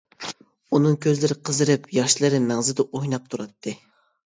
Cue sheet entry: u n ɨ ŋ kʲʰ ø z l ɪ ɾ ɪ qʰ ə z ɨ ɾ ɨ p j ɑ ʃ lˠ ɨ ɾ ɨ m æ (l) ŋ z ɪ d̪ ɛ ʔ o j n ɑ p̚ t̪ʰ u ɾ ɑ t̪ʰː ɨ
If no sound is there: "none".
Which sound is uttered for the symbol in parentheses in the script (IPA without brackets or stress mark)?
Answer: none